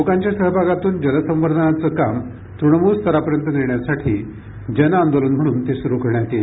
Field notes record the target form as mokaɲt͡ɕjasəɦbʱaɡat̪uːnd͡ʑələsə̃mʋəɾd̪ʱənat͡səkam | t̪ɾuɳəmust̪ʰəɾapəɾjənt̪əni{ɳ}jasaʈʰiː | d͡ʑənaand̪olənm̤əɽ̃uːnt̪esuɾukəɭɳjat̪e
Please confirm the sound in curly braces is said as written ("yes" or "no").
yes